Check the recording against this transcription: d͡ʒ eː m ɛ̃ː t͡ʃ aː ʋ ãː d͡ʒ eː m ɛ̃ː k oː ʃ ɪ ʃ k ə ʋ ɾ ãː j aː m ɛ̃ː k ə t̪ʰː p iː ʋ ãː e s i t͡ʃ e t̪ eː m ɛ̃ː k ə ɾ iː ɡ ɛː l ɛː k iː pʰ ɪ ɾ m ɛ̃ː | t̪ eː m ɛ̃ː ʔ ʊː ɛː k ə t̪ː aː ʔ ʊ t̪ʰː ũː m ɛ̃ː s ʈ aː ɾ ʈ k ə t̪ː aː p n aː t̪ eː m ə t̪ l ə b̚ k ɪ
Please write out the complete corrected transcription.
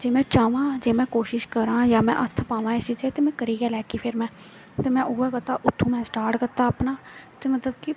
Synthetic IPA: d͡ʒ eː m ɛ̃ː t͡ʃ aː ʋ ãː d͡ʒ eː m ɛ̃ː k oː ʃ ɪ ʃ k ə ɾ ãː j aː m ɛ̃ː ʔ ə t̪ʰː p aː ʋ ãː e s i t͡ʃ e t̪ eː m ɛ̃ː k ə ɾ iː ɡ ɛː l ɛː k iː pʰ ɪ ɾ m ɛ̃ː | t̪ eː m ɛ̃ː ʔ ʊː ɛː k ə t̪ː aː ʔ ʊ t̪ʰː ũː m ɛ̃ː s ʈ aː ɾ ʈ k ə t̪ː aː p n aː t̪ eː m ə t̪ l ə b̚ k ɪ